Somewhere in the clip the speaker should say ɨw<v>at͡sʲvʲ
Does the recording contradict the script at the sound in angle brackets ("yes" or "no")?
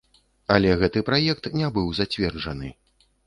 yes